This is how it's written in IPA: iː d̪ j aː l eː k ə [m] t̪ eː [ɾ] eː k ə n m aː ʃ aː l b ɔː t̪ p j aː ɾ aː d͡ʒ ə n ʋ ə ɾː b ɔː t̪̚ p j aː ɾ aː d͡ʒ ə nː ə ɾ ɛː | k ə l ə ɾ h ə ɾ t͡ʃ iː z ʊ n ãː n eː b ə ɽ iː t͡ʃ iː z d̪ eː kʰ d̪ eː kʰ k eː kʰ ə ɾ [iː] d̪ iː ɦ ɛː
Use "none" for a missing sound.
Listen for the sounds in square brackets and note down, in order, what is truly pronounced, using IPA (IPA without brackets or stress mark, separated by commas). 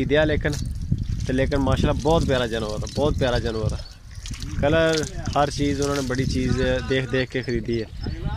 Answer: n, l, iː